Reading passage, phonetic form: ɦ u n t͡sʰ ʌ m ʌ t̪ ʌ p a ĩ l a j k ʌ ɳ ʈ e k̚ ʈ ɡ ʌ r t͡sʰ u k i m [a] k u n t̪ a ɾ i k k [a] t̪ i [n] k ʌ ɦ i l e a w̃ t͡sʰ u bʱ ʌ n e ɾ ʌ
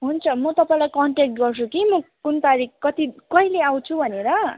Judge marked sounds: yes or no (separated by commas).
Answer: no, no, no